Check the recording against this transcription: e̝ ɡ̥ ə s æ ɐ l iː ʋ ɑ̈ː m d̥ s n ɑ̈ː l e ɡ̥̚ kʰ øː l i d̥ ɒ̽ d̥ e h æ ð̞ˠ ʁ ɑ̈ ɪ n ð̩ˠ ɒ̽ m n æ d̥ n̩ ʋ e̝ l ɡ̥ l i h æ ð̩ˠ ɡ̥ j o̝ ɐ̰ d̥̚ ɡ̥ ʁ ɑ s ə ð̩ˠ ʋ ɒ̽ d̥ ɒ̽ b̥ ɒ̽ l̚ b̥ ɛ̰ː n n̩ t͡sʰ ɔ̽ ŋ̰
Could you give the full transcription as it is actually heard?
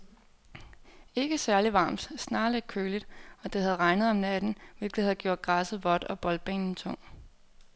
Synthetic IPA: e̝ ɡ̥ ə s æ ɐ l i ʋ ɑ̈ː m d̥ s n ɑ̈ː l e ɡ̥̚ kʰ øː l i d̥ ɒ̽ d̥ e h æ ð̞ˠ ʁ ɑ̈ ɪ n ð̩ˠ ɒ̽ m n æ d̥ n̩ ʋ e̝ l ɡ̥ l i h æ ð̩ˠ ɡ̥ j o̝ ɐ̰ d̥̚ ɡ̥ ʁ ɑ s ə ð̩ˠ ʋ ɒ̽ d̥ ɒ̽ b̥ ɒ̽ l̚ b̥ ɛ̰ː n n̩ t͡sʰ ɔ̽ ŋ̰